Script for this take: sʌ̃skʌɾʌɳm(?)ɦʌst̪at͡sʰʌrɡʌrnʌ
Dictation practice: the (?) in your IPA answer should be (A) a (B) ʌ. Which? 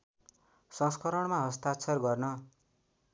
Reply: A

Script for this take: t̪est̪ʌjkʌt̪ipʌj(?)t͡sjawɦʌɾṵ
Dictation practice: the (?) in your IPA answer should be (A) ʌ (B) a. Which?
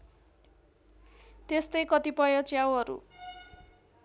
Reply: A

